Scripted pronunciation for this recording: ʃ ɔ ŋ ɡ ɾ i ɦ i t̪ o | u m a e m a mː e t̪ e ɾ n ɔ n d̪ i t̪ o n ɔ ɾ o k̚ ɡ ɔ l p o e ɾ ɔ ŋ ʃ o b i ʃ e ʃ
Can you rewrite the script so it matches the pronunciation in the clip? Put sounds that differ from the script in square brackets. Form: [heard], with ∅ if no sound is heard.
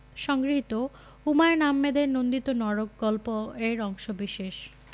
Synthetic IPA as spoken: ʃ ɔ ŋ ɡ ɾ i ɦ i t̪ o | u m a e [n] a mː e [d̪] e ɾ n [o] n d̪ i t̪ o n ɔ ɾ o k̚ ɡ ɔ l p o e ɾ ɔ ŋ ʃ o b i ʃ e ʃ